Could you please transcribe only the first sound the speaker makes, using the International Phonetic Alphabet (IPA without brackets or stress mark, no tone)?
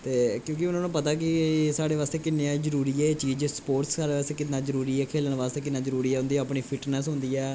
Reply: t̪